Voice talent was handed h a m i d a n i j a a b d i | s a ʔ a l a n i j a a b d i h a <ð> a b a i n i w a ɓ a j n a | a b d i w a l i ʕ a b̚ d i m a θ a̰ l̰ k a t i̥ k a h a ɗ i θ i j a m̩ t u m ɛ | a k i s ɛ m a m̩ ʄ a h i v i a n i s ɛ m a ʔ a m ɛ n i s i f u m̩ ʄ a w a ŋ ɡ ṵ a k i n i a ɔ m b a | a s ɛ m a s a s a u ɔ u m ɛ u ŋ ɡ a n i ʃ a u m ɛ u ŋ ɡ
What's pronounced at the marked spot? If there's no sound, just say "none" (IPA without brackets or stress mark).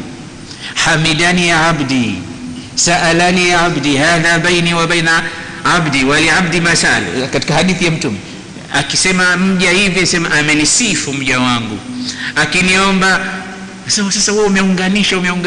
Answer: ð